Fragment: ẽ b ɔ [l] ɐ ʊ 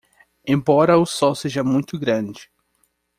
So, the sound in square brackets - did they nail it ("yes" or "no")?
no